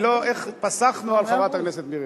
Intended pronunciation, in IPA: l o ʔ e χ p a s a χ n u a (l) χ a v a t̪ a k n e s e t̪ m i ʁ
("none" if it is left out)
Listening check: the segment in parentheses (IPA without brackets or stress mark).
l